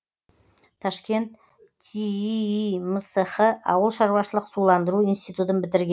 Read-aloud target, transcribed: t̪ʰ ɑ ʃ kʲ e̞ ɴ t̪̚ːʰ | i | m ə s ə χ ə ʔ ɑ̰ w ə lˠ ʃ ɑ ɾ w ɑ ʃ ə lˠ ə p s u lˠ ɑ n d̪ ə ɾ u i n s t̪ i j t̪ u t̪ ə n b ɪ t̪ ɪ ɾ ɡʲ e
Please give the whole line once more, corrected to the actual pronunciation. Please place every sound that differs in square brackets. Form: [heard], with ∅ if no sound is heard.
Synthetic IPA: t̪ʰ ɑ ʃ kʲ e̞ [n] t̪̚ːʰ | i | m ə s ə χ ə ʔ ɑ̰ w ə lˠ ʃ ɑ ɾ w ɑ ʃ ə lˠ ə [q] s u lˠ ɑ n d̪ ə ɾ u i n s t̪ i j t̪ u t̪ ə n b ɪ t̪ ɪ ɾ ɡʲ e

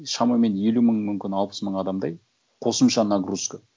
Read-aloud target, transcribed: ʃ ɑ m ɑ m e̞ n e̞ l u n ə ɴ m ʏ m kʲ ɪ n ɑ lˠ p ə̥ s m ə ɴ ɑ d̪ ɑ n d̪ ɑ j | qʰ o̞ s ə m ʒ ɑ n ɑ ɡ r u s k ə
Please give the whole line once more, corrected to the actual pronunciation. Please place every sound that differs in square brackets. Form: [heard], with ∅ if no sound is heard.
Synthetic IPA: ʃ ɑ m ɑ m e̞ n e̞ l u [m] ə ɴ m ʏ m kʲ ɪ n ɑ lˠ p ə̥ s m ə ɴ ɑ d̪ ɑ [m] d̪ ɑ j | qʰ o̞ s ə m [ʃ] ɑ n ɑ ɡ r u s k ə

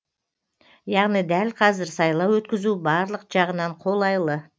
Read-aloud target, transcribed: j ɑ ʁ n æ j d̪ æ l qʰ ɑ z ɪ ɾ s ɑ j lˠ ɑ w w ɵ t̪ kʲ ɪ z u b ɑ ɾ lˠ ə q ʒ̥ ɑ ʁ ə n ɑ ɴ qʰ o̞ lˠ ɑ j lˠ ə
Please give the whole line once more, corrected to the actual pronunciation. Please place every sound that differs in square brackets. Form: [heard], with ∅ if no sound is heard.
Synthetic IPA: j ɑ ʁ n [i] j d̪ æ l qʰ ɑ z ɪ ɾ s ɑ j lˠ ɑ w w ɵ t̪ kʲ ɪ z u b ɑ ɾ lˠ ə q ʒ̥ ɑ ʁ ə n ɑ ɴ qʰ o̞ lˠ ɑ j lˠ ə

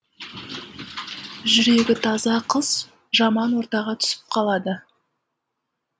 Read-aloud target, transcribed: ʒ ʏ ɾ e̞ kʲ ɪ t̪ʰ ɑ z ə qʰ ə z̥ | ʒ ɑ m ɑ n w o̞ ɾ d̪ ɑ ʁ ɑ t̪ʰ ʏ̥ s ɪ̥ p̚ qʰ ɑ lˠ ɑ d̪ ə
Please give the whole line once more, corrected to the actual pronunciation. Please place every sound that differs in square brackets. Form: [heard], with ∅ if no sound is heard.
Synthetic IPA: ʒ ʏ ɾ e̞ [ɡʲ] ɪ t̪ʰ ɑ z [ɑ] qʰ ə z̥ | ʒ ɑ m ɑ n w o̞ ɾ [t̪] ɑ ʁ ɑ t̪ʰ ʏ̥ s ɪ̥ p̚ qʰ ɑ lˠ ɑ d̪ ə

